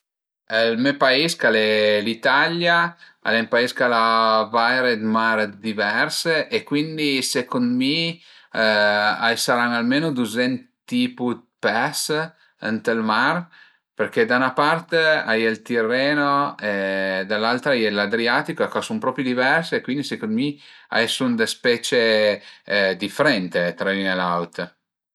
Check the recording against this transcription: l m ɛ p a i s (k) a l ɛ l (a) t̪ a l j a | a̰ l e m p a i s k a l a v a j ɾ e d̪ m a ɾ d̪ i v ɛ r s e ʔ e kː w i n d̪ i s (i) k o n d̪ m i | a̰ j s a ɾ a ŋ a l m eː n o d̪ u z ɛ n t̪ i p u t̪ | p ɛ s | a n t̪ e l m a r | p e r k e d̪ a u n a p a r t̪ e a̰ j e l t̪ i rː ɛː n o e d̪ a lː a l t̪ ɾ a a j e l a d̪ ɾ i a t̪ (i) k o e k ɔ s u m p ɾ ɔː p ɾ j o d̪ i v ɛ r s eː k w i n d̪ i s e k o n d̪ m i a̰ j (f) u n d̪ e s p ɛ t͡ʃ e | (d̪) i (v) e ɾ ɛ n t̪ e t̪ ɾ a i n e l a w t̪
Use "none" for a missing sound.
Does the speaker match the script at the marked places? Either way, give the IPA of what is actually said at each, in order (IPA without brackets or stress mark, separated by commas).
k, i, e, i, s, d̪, f